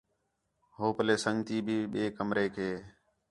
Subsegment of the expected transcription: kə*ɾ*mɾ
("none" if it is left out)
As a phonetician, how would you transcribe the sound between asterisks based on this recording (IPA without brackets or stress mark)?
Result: none